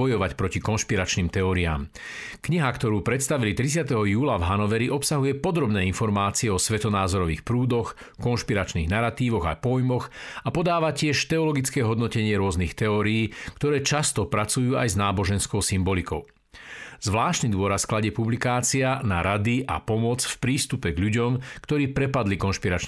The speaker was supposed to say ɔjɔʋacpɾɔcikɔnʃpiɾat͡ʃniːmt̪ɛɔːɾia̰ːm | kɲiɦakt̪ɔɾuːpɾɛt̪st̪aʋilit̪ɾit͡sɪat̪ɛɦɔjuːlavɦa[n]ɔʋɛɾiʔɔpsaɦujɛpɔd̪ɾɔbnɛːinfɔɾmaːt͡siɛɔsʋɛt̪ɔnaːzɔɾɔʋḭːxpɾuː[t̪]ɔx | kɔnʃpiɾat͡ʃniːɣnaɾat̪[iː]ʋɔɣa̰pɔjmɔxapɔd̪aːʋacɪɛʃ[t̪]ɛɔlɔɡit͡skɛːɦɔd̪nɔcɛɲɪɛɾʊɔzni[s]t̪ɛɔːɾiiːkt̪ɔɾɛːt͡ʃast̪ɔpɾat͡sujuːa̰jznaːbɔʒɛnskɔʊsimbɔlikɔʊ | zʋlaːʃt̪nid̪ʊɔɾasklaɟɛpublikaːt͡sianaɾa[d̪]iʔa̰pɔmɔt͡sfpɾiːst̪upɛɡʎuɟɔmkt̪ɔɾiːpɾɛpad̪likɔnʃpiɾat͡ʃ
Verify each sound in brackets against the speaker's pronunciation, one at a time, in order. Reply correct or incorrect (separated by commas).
correct, incorrect, correct, correct, incorrect, correct